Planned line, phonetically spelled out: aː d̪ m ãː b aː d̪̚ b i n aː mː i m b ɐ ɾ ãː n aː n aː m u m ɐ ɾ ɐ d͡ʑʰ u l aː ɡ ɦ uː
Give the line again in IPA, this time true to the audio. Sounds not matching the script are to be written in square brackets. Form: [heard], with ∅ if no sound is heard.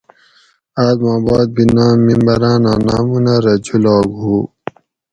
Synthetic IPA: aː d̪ m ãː b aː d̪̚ b i n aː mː i m b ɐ ɾ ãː n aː n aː m u [n] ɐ ɾ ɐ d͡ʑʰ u l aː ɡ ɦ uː